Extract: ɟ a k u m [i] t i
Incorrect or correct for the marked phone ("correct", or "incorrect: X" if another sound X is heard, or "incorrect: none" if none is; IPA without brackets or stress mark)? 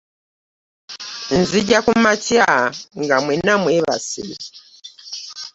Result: incorrect: a